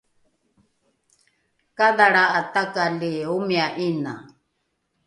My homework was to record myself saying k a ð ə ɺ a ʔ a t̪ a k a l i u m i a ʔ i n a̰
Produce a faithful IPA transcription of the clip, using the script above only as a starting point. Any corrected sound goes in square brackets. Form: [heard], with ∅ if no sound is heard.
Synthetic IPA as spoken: k a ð [a] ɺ a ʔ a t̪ a k a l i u m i a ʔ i n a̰

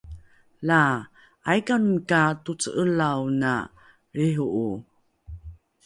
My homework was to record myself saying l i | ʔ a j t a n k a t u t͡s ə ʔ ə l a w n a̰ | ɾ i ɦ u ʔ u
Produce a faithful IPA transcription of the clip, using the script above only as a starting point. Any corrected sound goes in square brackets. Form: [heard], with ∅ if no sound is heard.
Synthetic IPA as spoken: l [a] | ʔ a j [k] a n k a t u t͡s ə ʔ ə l a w n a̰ | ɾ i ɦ u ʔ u

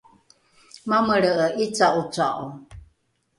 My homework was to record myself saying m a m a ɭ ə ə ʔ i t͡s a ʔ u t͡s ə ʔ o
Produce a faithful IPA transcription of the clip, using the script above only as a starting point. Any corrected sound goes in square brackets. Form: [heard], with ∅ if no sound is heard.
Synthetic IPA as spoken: m a m [ə] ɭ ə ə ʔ i t͡s a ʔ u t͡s [a] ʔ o

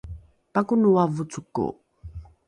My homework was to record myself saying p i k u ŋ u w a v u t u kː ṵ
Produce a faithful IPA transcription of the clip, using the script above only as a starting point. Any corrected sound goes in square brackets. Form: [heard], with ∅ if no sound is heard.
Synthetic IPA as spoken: p [a] k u [n] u w a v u [t͡s] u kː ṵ

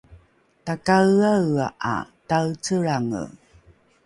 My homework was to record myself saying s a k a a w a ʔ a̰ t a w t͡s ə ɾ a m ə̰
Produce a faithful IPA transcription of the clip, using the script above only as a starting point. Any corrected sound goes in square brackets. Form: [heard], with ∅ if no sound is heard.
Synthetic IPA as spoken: [t] a k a a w a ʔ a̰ t a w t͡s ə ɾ a [ŋ] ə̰

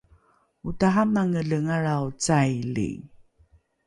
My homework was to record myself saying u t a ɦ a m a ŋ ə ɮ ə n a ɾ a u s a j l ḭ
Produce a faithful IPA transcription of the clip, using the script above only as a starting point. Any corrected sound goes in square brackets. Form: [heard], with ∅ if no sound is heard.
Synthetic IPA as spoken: u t a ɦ a m a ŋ ə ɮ ə [ŋ] a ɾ a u [t͡s] a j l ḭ

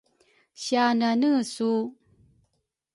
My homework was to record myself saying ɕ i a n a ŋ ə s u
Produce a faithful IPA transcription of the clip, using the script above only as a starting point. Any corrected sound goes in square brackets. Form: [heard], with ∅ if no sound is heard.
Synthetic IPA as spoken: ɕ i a n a [n] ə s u

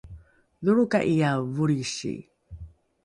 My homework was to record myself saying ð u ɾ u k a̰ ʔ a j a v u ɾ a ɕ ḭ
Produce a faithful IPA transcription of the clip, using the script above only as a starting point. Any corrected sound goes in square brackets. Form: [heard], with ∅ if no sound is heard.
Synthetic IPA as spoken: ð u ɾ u k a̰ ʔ [i] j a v u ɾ [i] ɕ ḭ

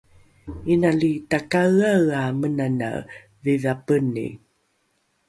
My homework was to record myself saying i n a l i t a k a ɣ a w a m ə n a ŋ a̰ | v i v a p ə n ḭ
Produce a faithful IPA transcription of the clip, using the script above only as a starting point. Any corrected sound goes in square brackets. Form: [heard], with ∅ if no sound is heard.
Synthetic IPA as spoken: i n a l i t a k a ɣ a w a m ə n a [n] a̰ | v i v a p ə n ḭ

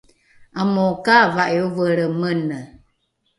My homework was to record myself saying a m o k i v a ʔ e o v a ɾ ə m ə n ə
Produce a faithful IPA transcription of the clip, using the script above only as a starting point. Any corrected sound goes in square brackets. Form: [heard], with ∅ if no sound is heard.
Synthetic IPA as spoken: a m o k [a] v a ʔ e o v [ə] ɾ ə m ə n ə

